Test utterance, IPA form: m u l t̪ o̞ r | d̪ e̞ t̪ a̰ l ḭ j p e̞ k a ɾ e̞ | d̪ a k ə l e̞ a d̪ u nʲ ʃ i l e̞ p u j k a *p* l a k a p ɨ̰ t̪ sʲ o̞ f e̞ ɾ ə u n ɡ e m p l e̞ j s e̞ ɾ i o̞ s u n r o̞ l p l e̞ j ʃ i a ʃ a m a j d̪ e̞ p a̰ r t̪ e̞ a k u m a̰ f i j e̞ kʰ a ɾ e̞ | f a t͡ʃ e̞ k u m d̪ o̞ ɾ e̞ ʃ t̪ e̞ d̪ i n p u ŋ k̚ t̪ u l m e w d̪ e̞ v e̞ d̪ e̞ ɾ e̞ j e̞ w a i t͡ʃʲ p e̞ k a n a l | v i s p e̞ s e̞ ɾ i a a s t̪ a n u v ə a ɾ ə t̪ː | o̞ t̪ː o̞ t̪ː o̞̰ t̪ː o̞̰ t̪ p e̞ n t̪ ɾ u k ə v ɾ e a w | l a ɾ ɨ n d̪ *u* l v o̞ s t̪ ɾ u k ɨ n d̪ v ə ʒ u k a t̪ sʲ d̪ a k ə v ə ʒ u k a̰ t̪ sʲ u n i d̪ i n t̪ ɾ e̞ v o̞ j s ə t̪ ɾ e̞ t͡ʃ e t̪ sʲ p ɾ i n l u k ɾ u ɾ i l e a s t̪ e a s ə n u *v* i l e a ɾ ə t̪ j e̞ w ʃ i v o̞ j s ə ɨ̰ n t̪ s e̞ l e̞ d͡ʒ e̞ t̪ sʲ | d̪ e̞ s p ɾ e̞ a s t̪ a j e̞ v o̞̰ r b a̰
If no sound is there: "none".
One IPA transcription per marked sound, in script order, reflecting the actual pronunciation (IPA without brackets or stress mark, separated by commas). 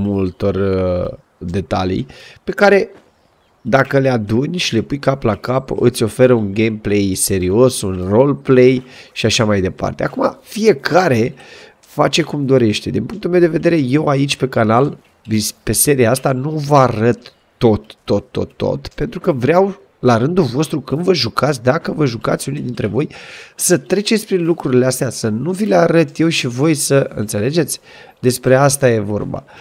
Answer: p, u, v